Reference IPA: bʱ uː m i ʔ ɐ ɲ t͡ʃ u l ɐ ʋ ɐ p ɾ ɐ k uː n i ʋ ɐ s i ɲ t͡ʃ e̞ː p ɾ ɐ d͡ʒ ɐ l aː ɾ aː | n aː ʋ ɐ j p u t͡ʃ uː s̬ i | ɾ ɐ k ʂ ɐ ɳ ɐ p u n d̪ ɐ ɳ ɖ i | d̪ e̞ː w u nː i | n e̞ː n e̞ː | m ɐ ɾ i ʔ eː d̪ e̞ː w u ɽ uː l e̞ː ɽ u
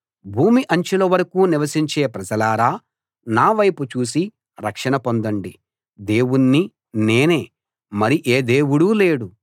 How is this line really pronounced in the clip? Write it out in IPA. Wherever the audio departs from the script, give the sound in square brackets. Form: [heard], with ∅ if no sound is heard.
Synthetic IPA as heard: bʱ uː m i ʔ ɐ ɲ t͡ʃ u l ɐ ʋ ɐ [∅] ɾ ɐ k uː n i ʋ ɐ s i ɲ t͡ʃ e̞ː p ɾ ɐ d͡ʒ ɐ l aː ɾ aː | n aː ʋ ɐ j p u t͡ʃ uː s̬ i | ɾ ɐ k ʂ ɐ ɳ ɐ p [o] n d̪ ɐ ɳ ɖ i | d̪ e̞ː w u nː i | n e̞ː n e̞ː | m ɐ ɾ i ʔ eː d̪ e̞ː w u ɽ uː l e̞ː ɽ u